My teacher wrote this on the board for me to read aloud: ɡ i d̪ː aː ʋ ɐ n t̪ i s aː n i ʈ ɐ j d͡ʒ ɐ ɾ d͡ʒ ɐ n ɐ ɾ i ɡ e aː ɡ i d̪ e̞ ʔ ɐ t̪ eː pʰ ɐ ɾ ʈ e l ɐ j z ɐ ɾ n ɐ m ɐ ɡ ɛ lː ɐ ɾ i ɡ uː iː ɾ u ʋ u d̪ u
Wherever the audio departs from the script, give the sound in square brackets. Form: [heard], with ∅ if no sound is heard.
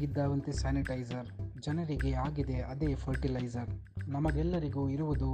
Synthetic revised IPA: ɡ i d̪ː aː ʋ ɐ n t̪ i s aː n i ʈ ɐ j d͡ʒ ɐ ɾ d͡ʒ ɐ n ɐ ɾ i ɡ e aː ɡ i d̪ e̞ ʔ ɐ [d̪] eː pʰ ɐ ɾ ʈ [i] l ɐ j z ɐ ɾ n ɐ m ɐ ɡ ɛ lː ɐ ɾ i ɡ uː [i] ɾ u ʋ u d̪ u